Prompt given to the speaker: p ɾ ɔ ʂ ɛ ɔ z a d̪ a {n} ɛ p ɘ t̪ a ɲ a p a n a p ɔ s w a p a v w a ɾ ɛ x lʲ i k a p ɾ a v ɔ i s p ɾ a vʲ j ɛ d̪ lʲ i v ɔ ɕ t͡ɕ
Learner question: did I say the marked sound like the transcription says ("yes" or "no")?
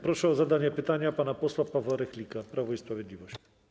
no